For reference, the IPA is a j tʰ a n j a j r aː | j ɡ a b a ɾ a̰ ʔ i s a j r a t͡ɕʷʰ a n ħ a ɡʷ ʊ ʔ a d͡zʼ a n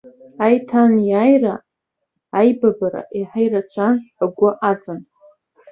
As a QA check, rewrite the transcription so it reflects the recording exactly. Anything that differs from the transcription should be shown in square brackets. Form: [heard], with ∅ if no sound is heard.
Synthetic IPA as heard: a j tʰ a n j a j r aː | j [b] a b a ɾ a̰ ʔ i [ħ] a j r a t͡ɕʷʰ a n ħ a ɡʷ ʊ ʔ a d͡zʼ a n